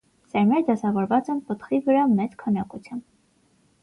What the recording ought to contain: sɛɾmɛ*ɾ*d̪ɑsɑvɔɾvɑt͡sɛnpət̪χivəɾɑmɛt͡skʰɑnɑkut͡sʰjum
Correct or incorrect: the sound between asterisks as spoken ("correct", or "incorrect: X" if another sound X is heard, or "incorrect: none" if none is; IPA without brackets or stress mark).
correct